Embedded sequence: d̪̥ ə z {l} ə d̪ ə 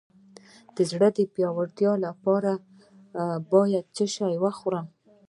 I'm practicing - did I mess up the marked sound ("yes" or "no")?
yes